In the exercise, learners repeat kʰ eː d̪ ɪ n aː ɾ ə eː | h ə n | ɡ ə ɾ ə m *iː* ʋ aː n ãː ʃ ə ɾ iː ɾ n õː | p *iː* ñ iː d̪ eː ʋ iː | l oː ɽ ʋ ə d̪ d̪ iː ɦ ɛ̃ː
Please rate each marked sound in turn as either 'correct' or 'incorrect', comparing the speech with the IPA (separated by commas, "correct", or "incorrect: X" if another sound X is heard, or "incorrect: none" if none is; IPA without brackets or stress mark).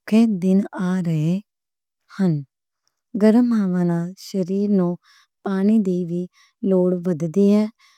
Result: incorrect: aː, incorrect: aː